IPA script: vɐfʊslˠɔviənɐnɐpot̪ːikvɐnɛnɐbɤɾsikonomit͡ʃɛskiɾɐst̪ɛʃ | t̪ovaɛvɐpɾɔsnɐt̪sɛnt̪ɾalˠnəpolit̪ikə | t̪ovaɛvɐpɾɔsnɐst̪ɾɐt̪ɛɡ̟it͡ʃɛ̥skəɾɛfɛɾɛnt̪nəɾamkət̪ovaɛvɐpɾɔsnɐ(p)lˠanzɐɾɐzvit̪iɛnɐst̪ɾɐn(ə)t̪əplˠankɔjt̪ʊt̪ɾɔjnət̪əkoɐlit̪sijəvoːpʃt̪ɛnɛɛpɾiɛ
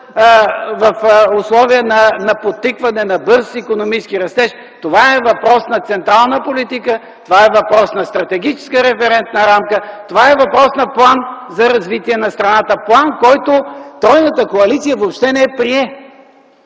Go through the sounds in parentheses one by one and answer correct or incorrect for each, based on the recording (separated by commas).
correct, incorrect